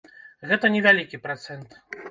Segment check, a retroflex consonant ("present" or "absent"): absent